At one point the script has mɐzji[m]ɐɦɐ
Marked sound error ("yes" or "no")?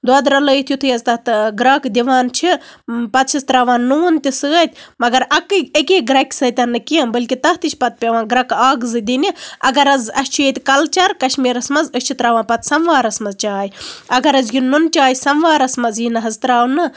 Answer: yes